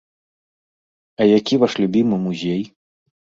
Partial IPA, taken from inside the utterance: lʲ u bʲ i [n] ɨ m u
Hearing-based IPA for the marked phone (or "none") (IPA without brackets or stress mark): m